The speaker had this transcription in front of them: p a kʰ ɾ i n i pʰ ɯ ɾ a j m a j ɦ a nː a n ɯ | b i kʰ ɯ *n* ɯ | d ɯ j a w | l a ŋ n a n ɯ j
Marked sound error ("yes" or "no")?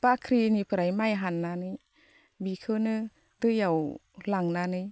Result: no